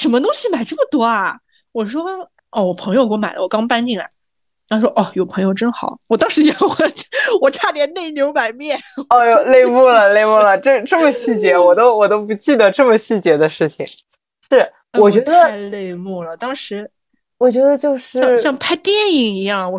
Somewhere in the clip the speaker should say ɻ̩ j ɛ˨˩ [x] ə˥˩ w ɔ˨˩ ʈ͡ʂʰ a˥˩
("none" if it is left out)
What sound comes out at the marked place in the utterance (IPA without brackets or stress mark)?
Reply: x